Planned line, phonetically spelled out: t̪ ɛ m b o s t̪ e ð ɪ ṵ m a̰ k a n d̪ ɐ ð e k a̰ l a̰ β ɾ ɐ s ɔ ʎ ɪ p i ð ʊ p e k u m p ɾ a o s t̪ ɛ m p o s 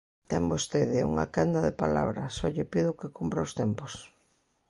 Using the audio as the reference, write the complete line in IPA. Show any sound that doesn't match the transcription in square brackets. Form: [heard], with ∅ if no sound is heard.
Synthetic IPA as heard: t̪ ɛ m b o s t̪ e ð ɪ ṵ [ŋ] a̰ k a n d̪ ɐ ð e [p] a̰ l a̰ β ɾ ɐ s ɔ ʎ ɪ p i ð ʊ [k] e k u m p ɾ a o s t̪ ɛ m p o s

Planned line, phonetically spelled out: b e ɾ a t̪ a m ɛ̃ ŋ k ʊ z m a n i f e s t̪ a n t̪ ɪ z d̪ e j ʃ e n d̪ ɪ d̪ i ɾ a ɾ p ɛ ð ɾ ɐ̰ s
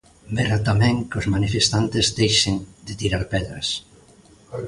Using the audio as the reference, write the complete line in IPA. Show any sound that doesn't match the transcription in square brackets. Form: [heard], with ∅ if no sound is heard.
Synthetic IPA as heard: b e ɾ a t̪ a m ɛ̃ ŋ k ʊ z m a n i f e s t̪ a n t̪ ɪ z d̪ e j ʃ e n d̪ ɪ [t̪] i ɾ a ɾ p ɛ ð ɾ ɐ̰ s

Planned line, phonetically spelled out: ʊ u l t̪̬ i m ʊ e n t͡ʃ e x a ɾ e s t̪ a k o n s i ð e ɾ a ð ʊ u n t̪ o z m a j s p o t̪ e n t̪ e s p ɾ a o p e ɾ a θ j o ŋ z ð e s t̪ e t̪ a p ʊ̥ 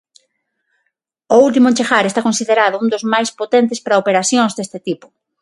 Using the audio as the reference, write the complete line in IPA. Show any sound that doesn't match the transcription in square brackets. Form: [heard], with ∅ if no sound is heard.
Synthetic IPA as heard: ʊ u l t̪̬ i m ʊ e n t͡ʃ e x a ɾ e s t̪ a k o n s i ð e ɾ a ð ʊ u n [d̪] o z m a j s p o t̪ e n t̪ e s p ɾ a o p e ɾ a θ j o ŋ z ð e s t̪ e t̪ [i] p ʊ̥

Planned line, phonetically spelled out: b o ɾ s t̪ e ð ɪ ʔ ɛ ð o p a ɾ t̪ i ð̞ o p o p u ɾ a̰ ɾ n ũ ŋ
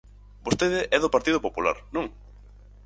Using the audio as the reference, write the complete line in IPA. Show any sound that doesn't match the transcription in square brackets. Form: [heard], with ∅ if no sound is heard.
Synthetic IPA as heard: b o [∅] s t̪ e ð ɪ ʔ ɛ ð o p a ɾ t̪ i ð̞ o p o p u [l] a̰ ɾ n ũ ŋ

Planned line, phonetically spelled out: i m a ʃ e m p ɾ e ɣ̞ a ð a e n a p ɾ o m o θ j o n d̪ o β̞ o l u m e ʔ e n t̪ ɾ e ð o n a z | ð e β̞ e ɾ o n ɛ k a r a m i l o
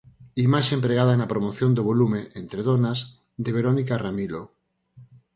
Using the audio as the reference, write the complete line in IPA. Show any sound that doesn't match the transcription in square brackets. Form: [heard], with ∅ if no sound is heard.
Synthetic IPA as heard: i m a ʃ e m p ɾ e ɣ̞ a ð a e n a p ɾ o m o θ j o n d̪ o β̞ o l u m e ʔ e n t̪ ɾ e ð o n a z | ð e β̞ e ɾ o n [i] k a r a m i l o

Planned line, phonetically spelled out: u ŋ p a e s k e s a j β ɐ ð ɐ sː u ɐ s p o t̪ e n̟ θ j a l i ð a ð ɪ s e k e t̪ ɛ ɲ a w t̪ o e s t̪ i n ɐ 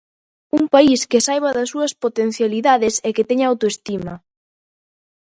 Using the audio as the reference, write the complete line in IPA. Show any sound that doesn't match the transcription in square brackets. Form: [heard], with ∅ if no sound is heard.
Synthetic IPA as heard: u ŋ p a [i] s k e s a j β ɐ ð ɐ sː u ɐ s p o t̪ e n̟ θ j a l i ð a ð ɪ s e k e t̪ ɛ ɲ a w t̪ o e s t̪ i [m] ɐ

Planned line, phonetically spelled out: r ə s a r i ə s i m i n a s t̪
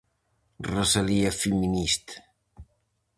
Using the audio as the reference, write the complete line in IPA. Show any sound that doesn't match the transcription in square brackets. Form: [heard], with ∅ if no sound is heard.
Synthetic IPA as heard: r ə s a [l] i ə [f] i m i n [i] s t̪

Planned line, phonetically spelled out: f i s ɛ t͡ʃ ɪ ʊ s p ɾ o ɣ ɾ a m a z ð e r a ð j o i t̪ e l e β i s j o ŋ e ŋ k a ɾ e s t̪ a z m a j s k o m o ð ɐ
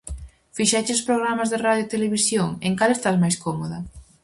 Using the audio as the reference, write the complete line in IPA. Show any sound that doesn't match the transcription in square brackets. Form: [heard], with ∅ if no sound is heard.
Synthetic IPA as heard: f i [ʃ] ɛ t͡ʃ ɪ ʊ s p ɾ o ɣ ɾ a m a z ð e r a ð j o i t̪ e l e β i s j o ŋ e ŋ k a [l] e s t̪ a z m a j s k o m o ð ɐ

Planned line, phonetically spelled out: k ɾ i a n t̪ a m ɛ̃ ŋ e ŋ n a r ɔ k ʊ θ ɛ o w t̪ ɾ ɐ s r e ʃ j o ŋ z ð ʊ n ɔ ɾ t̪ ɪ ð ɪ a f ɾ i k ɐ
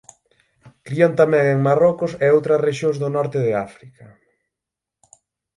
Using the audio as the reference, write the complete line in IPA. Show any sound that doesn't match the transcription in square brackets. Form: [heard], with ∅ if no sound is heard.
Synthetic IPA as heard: k ɾ i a n t̪ a m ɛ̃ ŋ e ŋ [m] a r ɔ k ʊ [s] ɛ o w t̪ ɾ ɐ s r e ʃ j o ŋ z ð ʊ n ɔ ɾ t̪ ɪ ð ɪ a f ɾ i k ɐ

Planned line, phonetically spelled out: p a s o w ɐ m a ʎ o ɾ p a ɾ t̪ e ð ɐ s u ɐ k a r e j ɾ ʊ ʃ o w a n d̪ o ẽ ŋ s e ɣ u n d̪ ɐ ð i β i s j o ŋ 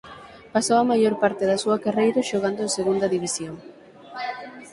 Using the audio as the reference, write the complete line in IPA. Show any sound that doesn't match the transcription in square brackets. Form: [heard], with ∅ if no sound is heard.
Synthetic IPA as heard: p a s o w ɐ m a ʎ o ɾ p a ɾ t̪ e ð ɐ s u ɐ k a r e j ɾ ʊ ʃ o [ɣ] a n d̪ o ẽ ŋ s e ɣ u n d̪ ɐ ð i β i s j o ŋ

